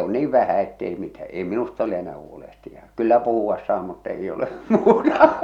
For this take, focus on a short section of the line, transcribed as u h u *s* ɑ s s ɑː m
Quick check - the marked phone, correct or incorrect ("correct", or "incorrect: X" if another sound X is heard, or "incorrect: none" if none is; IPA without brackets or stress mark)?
incorrect: none